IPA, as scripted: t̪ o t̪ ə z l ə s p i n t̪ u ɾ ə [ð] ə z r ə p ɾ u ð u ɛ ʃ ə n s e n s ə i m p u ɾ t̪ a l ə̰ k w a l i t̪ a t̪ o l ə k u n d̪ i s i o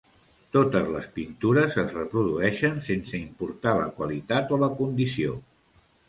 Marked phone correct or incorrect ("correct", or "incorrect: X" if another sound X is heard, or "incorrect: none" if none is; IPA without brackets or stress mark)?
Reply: incorrect: z